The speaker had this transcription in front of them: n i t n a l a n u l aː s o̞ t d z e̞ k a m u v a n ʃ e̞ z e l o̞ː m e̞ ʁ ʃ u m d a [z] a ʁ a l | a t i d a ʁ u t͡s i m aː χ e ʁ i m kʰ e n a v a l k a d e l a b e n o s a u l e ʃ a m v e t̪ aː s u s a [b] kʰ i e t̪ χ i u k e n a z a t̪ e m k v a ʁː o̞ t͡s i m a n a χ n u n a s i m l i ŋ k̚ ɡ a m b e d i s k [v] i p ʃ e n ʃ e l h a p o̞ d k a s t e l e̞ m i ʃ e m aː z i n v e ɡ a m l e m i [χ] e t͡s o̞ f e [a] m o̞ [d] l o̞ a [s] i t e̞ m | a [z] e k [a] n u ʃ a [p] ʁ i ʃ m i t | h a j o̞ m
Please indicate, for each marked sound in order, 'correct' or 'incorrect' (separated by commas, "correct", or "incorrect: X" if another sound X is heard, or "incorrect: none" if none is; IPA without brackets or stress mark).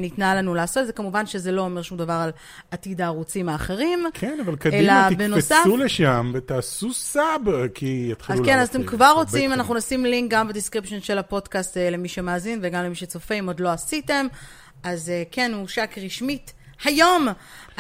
incorrect: v, correct, incorrect: ʁ, incorrect: ʃ, incorrect: i, correct, correct, correct, incorrect: e, incorrect: k